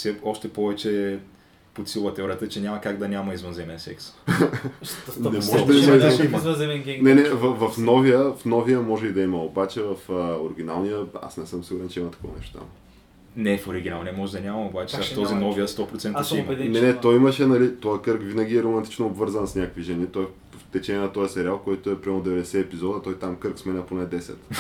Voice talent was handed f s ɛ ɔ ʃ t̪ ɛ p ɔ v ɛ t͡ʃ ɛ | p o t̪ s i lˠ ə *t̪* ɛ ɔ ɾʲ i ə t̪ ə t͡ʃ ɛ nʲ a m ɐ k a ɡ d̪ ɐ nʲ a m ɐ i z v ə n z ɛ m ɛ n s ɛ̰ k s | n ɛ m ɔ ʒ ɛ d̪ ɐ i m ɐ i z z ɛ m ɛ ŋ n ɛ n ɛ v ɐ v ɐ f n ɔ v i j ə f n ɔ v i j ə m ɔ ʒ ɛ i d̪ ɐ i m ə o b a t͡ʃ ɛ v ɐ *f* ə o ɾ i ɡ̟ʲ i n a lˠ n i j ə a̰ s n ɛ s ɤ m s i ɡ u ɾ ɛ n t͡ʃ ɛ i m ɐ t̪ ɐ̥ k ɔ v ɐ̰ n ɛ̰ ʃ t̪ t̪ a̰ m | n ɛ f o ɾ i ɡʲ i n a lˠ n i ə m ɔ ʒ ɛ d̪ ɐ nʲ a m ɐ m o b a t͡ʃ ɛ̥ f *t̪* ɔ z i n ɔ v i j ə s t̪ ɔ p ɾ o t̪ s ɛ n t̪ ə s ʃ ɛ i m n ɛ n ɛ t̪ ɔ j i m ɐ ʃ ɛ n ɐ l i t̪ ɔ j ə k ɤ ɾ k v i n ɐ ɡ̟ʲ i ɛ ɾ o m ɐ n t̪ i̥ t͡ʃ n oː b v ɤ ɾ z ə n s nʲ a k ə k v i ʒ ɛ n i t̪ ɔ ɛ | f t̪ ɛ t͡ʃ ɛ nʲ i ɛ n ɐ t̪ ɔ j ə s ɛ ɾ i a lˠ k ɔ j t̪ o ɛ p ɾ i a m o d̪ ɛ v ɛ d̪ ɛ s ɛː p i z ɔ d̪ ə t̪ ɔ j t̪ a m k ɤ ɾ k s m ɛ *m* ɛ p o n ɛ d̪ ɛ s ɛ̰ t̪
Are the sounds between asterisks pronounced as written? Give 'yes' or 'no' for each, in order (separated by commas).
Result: yes, yes, yes, no